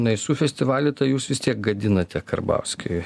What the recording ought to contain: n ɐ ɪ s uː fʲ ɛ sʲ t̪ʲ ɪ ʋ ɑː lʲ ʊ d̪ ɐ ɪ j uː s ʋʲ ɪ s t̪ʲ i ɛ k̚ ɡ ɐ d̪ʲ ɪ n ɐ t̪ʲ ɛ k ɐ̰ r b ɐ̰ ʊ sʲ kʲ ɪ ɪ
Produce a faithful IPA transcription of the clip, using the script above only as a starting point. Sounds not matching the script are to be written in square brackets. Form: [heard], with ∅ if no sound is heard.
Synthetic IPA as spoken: n ɐ ɪ s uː fʲ ɛ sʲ t̪ʲ ɪ ʋ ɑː lʲ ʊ [t̪] ɐ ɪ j uː s ʋʲ ɪ s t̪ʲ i ɛ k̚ ɡ ɐ d̪ʲ ɪ n ɐ t̪ʲ ɛ k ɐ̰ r b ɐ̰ ʊ sʲ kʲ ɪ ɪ